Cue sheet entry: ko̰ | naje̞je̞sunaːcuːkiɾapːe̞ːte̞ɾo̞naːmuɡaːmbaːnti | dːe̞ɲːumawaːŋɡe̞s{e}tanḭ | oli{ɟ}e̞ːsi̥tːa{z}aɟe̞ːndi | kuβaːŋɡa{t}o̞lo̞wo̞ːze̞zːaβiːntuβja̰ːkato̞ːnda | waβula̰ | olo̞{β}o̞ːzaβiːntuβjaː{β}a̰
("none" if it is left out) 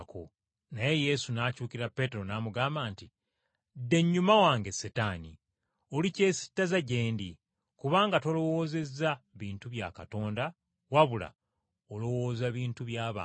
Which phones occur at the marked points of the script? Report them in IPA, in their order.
e, c, z, t, w, β

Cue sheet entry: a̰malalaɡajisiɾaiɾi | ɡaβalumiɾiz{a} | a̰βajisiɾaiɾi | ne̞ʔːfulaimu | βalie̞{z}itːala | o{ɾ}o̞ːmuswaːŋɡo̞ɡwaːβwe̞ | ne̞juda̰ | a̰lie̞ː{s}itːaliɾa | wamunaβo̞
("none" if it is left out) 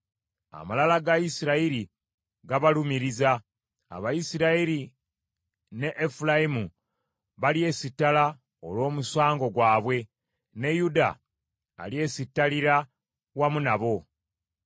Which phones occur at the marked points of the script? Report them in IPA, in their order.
a, s, l, s

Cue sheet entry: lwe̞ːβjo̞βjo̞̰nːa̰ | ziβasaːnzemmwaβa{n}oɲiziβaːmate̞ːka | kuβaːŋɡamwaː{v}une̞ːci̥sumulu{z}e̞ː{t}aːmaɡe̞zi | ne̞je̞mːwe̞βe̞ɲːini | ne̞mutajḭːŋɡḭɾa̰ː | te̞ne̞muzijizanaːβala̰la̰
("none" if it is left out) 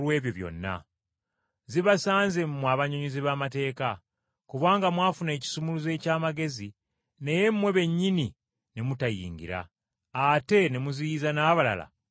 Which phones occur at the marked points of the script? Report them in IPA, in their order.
ɲ, f, z, c

